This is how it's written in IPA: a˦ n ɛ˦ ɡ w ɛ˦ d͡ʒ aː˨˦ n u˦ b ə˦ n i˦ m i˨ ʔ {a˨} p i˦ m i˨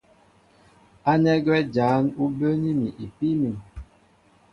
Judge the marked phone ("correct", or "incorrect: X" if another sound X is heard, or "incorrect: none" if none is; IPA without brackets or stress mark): incorrect: i˨